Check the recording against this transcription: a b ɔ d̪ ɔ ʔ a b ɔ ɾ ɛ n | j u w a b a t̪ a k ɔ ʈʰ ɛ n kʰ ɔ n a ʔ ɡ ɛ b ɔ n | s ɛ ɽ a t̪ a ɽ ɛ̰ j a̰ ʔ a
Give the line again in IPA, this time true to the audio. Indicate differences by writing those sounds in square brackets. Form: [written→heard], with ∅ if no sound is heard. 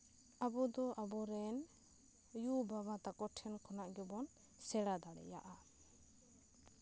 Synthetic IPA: a b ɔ d̪ ɔ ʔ a b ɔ ɾ ɛ n | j u [w→b] a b a t̪ a k ɔ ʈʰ ɛ n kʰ ɔ n a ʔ ɡ ɛ b ɔ n | s ɛ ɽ a [t̪→d̪] a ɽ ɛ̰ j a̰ ʔ a